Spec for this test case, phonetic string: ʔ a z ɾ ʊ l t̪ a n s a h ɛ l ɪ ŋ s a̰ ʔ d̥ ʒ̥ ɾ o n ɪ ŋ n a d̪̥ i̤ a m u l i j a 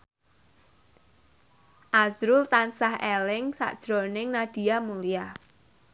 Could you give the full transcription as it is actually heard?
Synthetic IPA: ʔ a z ɾ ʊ l t̪ a n s a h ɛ l ɪ ŋ s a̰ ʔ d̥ ʒ̥ ɾ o n ɪ ŋ n a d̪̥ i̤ a m u l i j a